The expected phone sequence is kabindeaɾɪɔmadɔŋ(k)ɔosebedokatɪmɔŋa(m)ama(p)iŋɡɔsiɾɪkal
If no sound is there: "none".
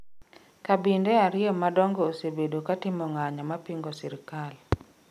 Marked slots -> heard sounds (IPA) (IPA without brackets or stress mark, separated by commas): ɡ, ɲ, p